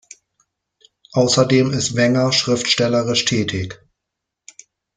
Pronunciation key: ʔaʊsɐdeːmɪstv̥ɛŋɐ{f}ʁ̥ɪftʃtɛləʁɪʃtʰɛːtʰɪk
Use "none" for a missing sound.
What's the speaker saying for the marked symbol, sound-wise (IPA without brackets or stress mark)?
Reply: ʃ